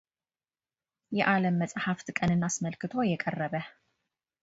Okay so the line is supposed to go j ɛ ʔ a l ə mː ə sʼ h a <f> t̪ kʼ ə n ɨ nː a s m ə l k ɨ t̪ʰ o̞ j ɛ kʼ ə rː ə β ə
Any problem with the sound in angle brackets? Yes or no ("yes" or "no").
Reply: no